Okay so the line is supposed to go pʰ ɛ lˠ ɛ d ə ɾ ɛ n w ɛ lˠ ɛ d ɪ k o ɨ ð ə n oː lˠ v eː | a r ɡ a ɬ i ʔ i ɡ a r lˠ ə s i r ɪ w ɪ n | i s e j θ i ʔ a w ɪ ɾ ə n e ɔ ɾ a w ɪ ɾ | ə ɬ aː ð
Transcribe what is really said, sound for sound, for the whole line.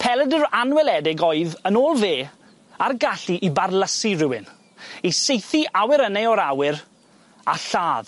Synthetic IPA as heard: pʰ ɛ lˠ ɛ d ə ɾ a n w ɛ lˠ ɛ d ɪ ɡ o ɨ ð ə n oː lˠ v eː | a r ɡ a ɬ i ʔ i b a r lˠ ə s i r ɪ w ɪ n | i s e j θ i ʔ a w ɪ ɾ ə n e ɔ ɾ a w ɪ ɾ | a ɬ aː ð